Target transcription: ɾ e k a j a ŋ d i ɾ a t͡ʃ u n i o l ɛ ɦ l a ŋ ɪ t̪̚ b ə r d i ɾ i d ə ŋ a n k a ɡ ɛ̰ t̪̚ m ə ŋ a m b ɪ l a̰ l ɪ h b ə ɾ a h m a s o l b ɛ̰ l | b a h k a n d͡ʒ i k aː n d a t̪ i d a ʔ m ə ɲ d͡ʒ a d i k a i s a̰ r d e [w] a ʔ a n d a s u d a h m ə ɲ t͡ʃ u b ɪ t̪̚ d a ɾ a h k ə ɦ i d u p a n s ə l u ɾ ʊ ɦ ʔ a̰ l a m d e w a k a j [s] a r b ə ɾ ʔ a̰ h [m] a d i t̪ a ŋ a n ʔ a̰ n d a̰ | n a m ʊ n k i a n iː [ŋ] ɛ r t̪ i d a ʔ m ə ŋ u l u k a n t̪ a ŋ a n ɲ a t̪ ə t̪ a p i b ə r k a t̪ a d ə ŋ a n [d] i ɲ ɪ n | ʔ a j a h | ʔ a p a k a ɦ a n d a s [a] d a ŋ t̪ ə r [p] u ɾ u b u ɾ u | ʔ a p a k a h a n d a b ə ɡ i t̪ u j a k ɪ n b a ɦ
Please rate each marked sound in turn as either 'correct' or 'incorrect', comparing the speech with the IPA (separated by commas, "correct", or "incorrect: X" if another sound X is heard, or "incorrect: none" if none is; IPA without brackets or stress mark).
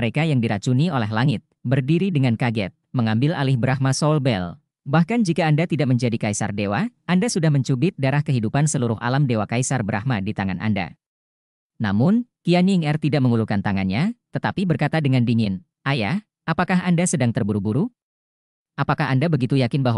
correct, correct, correct, correct, correct, incorrect: ə, incorrect: b